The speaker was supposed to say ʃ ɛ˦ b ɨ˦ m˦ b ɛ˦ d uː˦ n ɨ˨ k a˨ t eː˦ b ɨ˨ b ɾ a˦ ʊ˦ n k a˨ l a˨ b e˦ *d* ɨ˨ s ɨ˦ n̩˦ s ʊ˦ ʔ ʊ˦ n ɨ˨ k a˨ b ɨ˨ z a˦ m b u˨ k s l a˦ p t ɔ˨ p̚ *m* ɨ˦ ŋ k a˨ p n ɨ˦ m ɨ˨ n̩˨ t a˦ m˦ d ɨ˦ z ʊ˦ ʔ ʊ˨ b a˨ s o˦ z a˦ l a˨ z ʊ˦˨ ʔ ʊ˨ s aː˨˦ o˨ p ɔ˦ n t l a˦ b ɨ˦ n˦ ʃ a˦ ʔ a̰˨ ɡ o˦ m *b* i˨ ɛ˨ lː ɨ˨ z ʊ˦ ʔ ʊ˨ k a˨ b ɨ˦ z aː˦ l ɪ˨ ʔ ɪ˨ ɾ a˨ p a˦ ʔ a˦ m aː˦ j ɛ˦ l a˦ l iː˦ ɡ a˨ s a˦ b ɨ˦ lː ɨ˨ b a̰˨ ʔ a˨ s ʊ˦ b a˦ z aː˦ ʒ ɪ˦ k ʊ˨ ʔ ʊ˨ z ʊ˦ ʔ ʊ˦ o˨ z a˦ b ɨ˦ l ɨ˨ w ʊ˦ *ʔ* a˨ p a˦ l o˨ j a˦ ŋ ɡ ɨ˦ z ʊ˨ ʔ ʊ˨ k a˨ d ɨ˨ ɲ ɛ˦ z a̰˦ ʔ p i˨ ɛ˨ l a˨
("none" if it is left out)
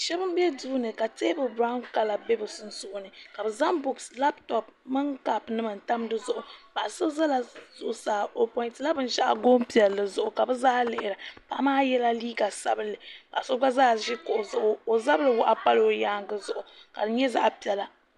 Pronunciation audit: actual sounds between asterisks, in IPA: b, m, p, ʔ

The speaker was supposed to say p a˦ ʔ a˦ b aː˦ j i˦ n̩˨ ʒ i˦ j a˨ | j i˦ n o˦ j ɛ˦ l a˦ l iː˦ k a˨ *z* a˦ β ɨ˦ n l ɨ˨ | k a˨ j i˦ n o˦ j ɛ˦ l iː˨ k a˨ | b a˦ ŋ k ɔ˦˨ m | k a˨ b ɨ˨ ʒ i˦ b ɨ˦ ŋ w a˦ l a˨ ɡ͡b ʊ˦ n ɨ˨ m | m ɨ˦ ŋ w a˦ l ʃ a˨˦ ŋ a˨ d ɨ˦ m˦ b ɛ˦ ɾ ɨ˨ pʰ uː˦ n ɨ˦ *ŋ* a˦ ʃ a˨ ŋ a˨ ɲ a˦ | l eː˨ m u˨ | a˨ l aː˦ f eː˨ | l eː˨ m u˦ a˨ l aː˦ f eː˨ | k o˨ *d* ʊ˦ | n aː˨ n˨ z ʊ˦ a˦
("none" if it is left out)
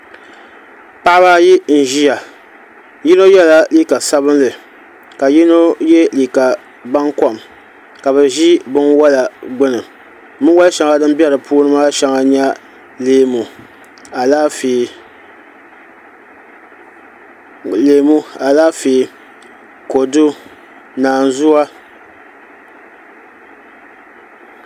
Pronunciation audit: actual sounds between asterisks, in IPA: s, m, d

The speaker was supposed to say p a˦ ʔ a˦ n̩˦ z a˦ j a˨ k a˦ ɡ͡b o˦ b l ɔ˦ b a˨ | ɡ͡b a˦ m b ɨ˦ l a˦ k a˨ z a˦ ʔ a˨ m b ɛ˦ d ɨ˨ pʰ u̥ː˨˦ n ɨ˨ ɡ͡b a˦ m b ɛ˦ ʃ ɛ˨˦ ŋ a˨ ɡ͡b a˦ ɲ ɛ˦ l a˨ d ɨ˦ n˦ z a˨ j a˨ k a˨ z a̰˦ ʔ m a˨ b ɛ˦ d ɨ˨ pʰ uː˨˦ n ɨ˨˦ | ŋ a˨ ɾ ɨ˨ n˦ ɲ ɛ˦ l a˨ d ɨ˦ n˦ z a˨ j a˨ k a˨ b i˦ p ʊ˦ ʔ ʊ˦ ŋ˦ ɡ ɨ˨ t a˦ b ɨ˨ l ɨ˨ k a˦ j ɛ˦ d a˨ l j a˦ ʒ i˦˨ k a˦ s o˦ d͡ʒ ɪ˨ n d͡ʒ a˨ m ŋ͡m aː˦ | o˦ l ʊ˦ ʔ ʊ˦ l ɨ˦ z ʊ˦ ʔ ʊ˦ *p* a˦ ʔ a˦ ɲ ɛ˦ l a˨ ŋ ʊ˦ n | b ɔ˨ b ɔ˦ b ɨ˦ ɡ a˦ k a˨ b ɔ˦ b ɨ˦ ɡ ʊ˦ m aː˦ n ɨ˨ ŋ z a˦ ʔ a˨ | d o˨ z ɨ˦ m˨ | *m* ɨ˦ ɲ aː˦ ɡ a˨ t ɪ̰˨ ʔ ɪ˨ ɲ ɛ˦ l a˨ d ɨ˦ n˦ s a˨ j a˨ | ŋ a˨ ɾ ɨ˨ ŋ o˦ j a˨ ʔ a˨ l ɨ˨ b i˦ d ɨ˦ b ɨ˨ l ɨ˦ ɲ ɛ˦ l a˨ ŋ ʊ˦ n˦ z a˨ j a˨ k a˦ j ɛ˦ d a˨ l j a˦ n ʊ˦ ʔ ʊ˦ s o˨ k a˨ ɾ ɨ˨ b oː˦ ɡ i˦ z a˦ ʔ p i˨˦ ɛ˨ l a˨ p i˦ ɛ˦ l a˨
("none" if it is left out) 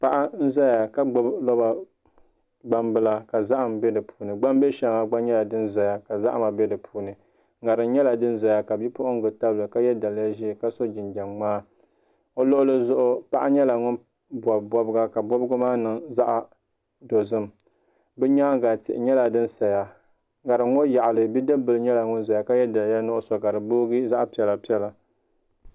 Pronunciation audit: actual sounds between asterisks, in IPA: p, b

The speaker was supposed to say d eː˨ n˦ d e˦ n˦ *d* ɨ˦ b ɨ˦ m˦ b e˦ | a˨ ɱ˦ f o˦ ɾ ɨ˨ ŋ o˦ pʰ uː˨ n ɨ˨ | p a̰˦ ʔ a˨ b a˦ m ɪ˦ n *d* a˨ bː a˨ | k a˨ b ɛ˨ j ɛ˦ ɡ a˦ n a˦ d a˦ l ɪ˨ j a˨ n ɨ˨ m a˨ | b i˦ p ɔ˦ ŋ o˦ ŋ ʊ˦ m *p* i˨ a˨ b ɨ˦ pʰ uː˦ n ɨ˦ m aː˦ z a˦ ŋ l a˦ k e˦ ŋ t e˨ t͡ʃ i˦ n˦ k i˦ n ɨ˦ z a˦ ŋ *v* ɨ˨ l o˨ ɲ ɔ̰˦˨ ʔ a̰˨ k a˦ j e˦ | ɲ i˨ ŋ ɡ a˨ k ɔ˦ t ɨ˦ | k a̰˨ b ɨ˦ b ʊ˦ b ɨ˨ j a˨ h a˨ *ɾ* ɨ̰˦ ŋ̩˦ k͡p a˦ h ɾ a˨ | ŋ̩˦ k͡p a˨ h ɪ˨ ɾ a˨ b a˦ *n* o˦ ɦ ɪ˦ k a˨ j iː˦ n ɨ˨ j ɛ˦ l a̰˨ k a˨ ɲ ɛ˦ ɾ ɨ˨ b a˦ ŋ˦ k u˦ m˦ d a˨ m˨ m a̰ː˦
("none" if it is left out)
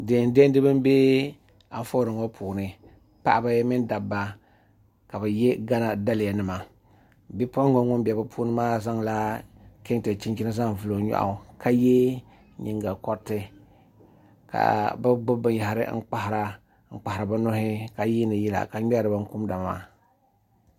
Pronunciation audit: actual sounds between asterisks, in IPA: d, d, b, v, ɾ, n

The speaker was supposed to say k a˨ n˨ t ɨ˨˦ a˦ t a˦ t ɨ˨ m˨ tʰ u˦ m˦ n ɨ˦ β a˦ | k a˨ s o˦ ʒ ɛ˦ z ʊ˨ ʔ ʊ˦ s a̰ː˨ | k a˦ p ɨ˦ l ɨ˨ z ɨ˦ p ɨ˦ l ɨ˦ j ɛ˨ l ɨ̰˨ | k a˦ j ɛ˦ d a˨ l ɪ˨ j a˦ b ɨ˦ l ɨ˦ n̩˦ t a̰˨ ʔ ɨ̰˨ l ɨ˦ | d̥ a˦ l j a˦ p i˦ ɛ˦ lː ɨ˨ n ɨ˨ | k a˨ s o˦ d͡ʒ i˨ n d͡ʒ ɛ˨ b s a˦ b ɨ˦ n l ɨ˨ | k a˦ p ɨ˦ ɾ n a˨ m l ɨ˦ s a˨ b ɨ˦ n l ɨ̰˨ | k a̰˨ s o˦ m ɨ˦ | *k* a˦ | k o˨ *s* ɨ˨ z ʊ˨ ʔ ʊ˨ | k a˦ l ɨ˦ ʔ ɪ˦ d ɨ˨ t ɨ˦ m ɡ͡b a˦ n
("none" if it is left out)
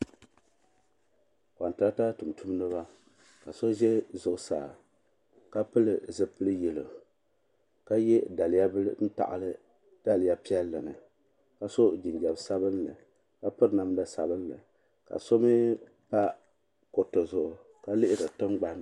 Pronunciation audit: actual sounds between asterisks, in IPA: p, t

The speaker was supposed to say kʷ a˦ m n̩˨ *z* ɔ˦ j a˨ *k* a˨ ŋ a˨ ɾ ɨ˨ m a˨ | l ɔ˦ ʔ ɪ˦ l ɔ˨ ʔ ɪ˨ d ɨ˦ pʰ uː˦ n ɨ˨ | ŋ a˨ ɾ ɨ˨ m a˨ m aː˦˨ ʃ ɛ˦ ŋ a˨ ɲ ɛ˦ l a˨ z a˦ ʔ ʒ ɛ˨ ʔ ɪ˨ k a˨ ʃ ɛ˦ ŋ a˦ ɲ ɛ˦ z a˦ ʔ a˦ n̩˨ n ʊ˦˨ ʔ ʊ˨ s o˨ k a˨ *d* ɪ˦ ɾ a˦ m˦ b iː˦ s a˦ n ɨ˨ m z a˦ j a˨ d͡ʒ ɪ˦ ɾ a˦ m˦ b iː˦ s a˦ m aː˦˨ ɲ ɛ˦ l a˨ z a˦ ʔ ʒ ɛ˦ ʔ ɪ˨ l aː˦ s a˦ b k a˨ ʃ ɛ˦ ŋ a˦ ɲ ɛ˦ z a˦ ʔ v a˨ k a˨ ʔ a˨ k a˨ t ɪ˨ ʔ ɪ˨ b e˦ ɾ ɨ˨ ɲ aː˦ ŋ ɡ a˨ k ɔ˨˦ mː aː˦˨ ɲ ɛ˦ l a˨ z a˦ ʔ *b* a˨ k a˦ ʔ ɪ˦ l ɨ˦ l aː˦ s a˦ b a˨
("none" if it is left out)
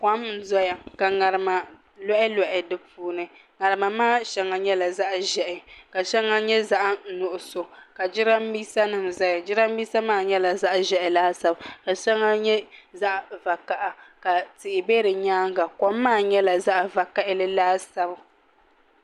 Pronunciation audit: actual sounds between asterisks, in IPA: z, k, d͡ʒ, v

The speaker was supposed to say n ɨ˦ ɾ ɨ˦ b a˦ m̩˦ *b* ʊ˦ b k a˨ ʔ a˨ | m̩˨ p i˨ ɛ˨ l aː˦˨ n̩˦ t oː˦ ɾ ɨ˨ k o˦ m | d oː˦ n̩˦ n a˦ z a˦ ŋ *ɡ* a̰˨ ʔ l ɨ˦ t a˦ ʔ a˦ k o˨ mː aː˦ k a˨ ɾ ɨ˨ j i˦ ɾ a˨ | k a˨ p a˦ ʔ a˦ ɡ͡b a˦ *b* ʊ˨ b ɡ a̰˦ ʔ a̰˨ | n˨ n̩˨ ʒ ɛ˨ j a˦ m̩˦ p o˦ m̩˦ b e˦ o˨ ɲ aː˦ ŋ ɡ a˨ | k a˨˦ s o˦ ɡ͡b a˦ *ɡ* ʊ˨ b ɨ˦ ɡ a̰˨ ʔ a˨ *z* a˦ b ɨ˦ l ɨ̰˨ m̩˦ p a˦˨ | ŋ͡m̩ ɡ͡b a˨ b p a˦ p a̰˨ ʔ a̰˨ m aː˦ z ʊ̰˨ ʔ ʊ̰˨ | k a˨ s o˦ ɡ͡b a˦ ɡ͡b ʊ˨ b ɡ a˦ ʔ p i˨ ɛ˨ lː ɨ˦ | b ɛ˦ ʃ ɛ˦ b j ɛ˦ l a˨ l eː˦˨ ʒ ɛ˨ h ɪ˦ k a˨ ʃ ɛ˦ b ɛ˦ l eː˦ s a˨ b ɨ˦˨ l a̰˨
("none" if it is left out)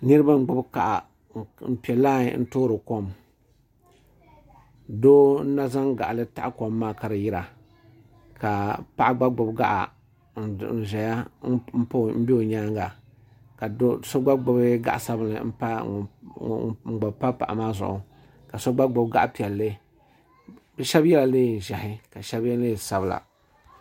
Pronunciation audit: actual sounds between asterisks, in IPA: ɡ͡b, ɡ, ɡ͡b, ɡ͡b, s

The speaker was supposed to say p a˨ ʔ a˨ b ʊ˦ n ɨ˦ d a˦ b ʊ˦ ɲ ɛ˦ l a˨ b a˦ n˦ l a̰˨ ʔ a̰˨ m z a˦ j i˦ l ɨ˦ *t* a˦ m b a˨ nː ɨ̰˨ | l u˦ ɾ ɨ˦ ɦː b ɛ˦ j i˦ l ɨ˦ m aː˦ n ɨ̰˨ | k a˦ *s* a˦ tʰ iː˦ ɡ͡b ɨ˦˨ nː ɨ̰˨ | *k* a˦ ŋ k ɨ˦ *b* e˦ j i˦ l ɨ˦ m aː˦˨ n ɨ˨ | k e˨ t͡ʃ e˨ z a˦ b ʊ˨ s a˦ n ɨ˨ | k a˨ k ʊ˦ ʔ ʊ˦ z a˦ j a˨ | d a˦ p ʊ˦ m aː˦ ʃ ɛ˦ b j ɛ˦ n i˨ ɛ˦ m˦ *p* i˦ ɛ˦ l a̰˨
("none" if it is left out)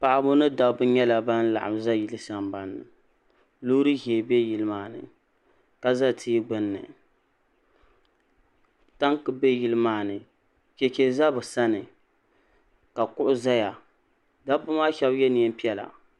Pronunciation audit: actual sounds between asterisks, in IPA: s, z, t, b, p

